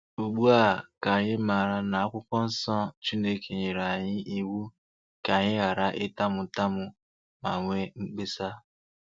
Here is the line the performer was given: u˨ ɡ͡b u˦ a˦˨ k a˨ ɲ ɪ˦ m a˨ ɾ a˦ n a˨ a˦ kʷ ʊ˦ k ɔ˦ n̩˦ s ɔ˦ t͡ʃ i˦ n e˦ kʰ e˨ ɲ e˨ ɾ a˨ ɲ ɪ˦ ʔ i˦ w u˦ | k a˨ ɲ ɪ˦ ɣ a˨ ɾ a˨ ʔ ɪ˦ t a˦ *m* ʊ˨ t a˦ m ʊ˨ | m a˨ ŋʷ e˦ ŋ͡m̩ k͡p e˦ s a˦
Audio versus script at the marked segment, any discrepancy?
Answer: no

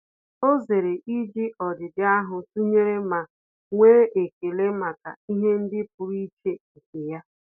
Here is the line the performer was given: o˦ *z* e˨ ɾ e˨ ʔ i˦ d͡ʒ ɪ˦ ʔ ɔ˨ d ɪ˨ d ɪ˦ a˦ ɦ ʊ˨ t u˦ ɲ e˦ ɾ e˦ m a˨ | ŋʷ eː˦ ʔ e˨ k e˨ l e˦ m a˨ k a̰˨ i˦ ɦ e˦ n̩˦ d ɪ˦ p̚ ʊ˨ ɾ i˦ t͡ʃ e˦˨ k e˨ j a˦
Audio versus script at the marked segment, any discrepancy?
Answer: no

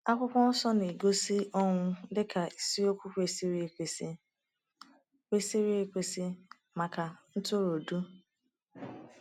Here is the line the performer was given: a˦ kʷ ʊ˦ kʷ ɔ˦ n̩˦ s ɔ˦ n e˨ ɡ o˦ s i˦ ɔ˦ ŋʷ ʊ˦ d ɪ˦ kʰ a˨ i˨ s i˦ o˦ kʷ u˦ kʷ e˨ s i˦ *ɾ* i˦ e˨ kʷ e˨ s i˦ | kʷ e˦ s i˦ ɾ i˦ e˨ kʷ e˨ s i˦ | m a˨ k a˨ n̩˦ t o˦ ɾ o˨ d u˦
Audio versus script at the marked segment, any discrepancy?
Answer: no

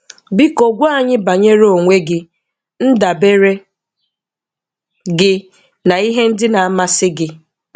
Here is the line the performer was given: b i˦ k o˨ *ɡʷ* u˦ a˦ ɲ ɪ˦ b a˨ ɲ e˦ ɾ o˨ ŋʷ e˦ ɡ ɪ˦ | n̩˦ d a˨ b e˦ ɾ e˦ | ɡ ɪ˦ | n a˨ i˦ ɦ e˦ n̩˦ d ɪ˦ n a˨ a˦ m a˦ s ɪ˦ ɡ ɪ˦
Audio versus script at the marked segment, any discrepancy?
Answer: no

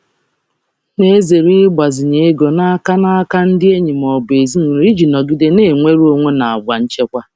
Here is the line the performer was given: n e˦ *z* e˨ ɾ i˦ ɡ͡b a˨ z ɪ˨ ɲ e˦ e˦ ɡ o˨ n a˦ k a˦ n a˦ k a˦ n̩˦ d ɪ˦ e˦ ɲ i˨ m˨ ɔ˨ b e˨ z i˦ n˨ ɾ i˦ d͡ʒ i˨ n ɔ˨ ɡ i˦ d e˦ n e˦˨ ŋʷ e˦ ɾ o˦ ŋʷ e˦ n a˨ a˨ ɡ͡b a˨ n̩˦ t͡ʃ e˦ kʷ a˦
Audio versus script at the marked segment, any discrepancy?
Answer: no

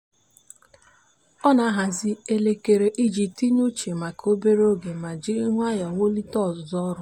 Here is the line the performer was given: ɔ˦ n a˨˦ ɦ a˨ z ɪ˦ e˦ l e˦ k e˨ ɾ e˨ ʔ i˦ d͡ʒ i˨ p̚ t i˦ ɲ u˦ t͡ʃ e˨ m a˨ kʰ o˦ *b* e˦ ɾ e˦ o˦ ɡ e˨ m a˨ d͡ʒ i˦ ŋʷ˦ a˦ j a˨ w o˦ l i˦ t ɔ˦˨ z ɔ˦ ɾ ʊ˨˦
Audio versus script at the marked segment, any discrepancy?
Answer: no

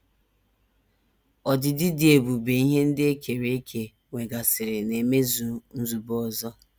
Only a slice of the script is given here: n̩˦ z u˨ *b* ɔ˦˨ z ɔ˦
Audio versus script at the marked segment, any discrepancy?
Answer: no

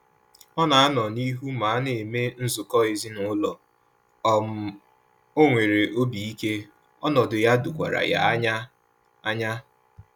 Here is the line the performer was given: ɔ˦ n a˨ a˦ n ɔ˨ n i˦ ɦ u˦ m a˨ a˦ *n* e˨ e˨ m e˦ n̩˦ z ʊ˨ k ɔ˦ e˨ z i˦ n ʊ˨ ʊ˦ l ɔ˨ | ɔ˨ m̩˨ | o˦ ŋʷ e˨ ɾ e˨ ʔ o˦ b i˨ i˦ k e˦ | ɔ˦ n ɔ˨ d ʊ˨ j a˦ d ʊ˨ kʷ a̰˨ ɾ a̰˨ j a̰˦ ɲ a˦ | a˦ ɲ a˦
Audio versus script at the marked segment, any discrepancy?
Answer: no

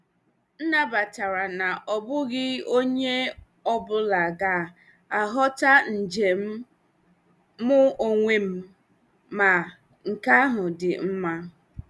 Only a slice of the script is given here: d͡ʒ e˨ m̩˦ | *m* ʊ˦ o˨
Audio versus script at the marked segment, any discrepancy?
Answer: no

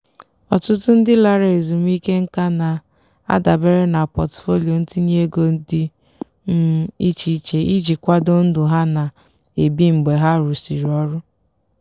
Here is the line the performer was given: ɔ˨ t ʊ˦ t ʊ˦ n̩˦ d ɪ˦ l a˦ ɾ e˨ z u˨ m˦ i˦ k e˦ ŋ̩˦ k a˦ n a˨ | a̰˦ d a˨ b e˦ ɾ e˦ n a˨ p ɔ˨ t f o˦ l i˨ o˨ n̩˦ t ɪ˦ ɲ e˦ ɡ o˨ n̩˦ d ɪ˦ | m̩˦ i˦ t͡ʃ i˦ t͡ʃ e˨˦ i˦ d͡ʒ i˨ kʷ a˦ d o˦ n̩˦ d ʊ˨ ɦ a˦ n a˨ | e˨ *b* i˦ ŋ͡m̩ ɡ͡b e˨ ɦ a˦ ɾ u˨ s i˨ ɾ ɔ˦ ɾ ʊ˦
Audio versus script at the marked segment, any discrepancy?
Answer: no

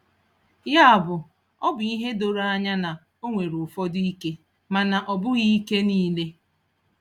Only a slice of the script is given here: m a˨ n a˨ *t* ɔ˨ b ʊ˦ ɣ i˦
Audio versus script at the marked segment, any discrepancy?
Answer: yes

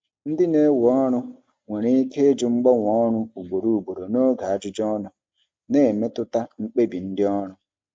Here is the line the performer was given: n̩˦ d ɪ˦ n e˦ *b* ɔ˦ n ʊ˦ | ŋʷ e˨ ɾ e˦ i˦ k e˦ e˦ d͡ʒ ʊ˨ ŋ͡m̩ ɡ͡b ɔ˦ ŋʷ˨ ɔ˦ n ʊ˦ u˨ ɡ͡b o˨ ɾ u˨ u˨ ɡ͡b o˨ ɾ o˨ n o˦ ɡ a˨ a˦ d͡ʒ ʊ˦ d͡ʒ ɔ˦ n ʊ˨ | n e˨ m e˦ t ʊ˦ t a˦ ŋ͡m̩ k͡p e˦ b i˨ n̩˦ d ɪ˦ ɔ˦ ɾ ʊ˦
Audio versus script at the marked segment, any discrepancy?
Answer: yes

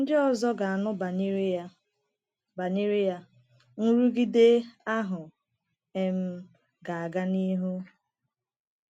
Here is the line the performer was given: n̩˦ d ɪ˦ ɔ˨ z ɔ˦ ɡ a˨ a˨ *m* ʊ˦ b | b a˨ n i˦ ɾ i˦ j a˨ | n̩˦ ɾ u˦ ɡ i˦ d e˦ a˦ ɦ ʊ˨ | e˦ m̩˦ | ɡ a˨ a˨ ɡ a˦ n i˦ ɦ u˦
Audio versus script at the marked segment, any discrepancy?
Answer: yes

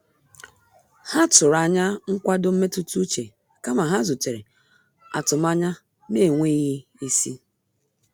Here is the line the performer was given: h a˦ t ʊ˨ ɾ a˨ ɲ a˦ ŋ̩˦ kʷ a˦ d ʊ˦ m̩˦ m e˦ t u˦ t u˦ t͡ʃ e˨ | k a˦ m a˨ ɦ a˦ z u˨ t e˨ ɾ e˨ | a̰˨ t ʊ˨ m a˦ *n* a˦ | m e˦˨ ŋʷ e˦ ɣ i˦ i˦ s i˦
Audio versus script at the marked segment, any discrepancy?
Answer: yes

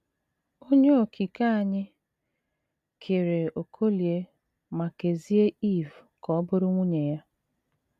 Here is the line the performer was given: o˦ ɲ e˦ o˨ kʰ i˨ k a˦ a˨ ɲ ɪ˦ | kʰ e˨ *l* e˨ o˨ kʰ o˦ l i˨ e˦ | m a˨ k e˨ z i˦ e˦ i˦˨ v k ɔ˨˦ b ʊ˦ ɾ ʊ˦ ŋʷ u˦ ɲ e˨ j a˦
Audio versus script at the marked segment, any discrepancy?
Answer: yes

